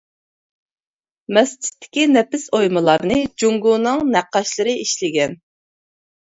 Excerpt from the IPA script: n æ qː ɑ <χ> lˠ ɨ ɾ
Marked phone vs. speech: incorrect: ʃ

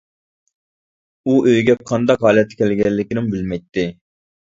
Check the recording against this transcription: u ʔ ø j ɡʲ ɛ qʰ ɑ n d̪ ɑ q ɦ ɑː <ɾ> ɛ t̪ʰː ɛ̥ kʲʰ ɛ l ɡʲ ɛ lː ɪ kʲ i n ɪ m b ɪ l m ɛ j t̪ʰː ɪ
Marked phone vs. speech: incorrect: l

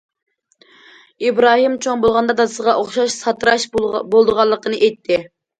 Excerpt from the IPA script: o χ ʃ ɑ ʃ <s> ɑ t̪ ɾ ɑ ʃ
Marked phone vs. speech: correct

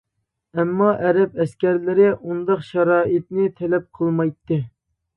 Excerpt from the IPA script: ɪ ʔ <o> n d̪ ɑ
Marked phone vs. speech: incorrect: u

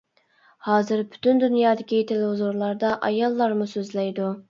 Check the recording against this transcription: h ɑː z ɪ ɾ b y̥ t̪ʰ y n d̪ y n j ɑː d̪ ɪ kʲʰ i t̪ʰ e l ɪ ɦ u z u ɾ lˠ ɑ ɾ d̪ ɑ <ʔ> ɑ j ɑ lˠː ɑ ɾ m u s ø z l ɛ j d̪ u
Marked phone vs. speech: correct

